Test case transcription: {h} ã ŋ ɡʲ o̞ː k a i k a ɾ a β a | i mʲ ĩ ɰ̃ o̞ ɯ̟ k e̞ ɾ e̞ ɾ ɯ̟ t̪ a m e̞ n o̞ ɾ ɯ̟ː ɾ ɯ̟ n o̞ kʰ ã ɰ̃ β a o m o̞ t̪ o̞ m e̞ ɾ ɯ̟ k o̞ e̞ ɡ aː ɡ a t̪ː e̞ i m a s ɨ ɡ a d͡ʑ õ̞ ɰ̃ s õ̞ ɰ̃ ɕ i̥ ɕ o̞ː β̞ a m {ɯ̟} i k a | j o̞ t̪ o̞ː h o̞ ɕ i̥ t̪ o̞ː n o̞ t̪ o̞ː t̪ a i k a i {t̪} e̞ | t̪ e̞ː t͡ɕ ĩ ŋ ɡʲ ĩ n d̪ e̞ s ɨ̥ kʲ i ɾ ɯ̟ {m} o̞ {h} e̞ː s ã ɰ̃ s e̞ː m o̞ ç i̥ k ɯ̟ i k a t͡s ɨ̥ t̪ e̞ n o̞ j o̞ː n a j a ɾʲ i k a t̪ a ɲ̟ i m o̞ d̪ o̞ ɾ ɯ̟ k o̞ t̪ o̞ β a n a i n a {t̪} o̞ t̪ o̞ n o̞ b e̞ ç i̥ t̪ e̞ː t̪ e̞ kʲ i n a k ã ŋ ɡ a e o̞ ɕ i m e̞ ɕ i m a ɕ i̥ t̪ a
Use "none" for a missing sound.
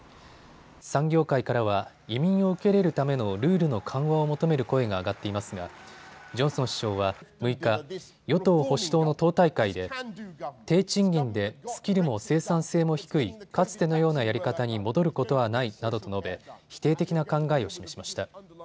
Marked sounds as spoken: s, ɯ̟, d̪, m, s, d̪

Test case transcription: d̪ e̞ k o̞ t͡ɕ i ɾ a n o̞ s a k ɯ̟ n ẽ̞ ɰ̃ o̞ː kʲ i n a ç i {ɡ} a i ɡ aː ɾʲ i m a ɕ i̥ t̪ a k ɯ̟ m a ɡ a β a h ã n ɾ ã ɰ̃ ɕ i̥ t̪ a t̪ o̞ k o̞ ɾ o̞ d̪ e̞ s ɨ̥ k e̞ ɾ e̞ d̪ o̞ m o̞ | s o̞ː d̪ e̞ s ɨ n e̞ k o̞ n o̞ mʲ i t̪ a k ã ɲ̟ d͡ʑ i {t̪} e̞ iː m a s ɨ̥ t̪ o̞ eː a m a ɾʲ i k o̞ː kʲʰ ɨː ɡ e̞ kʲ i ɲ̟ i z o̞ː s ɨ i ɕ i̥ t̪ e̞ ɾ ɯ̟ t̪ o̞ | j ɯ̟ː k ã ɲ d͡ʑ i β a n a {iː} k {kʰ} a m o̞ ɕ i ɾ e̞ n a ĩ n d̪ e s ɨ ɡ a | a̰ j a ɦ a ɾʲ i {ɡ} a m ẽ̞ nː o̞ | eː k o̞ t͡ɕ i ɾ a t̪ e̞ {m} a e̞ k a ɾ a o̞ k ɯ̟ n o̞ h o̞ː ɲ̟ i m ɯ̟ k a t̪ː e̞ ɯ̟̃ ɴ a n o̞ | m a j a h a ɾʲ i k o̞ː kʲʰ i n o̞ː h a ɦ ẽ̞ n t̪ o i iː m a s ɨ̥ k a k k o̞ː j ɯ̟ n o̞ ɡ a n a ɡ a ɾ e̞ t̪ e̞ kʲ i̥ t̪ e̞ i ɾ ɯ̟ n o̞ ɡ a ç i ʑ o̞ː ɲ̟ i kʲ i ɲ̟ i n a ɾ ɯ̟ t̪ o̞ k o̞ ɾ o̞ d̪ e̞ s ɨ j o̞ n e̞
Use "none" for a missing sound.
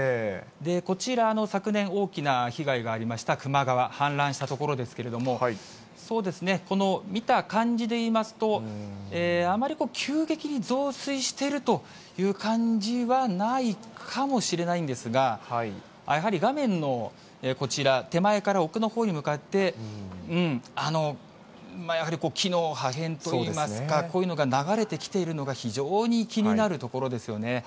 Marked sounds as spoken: ɡ, d̪, i, kʰ, ɡ, m

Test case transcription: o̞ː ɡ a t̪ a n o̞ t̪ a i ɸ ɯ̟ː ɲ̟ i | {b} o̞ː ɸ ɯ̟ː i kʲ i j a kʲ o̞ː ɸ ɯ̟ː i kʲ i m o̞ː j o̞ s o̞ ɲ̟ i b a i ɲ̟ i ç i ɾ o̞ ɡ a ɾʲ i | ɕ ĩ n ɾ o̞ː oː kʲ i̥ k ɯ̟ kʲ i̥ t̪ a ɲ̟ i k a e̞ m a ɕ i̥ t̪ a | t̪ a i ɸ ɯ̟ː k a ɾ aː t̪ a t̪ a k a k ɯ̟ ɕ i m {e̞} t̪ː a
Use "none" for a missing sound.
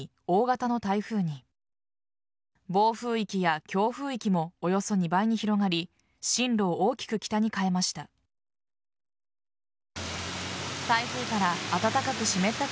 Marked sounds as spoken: b, e̞

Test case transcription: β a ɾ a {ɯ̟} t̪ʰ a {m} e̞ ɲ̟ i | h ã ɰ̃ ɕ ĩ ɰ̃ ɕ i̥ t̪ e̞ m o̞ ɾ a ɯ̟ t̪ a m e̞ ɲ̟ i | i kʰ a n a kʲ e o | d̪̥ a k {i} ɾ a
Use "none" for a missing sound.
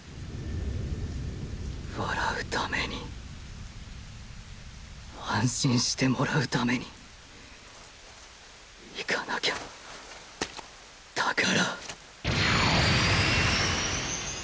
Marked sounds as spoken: ɯ̟, m, a

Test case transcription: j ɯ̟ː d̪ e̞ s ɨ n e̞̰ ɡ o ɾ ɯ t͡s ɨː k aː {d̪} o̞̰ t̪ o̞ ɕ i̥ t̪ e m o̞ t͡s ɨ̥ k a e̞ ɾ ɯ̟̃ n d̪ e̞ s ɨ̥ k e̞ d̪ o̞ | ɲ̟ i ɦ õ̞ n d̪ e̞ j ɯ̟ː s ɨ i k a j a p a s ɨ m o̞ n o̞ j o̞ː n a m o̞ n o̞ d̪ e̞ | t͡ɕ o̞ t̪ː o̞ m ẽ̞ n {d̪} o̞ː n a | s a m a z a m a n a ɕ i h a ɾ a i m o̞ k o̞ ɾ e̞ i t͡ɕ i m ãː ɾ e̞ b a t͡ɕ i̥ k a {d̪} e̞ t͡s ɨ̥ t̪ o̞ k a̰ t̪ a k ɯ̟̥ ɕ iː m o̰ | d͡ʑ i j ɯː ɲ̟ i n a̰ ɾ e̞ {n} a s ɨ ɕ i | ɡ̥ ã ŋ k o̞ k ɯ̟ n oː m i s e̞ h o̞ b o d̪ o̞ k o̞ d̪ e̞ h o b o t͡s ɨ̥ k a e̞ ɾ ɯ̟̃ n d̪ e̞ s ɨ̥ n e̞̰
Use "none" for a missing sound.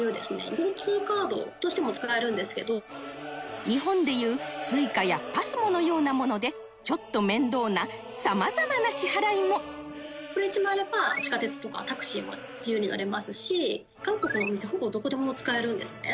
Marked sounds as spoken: d̪, d̪, t̪, m

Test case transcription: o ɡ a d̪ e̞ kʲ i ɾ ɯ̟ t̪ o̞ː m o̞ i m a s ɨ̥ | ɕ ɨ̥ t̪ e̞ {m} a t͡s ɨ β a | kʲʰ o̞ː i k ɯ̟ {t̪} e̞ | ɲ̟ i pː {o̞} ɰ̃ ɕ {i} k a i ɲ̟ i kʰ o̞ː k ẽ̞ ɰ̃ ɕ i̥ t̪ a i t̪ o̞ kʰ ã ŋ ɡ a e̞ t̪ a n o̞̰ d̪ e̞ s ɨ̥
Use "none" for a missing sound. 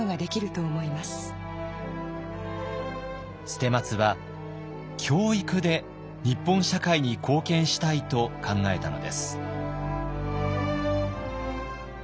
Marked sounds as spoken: m, d̪, õ̞, a

